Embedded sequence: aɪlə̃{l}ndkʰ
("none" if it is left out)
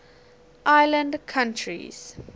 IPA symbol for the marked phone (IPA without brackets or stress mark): none